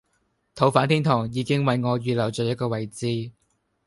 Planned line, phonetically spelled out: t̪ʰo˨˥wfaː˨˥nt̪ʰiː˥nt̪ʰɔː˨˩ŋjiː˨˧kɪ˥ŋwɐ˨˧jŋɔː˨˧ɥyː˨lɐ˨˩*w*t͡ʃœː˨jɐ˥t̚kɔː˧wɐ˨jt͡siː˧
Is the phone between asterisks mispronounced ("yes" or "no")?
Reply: no